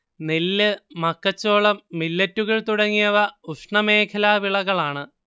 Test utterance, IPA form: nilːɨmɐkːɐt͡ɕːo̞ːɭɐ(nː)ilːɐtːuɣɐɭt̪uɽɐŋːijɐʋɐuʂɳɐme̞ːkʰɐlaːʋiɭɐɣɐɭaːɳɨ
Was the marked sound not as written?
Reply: yes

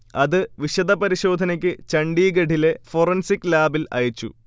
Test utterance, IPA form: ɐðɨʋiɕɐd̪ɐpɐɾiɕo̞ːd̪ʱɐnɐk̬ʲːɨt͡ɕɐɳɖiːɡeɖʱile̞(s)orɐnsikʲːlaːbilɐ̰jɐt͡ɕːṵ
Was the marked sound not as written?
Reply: yes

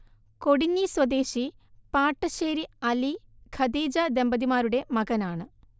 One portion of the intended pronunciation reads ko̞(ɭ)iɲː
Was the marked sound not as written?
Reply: yes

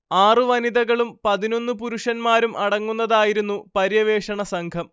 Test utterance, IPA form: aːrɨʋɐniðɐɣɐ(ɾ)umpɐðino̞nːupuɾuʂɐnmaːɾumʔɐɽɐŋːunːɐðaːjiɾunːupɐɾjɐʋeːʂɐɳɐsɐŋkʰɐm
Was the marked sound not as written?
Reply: yes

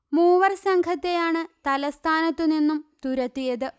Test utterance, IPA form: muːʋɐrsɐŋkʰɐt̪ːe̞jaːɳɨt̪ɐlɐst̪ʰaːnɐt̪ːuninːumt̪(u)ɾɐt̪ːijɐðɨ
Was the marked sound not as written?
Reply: no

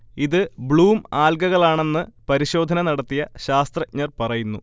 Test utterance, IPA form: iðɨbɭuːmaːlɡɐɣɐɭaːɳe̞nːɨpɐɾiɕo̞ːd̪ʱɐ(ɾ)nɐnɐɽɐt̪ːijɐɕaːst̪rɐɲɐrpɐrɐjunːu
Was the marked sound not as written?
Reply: yes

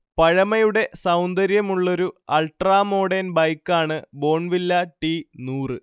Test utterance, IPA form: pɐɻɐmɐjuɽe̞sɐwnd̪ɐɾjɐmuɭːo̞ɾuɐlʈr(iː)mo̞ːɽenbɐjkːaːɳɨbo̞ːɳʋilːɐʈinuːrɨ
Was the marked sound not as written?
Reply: yes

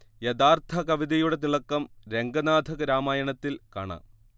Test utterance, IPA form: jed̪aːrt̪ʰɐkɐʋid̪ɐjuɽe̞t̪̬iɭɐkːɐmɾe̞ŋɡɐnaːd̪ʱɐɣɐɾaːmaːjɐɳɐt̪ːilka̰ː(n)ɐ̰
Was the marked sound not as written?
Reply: yes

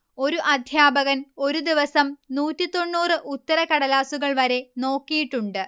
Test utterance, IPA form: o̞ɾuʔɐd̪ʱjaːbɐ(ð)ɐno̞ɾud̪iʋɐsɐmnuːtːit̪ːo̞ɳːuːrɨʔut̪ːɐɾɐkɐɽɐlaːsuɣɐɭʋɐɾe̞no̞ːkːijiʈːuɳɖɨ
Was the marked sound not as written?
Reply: yes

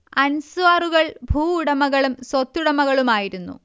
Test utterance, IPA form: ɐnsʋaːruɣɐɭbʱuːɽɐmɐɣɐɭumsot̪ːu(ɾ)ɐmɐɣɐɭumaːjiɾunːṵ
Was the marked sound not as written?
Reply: yes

